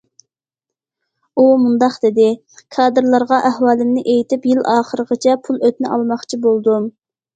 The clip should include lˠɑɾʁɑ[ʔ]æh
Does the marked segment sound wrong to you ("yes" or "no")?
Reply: no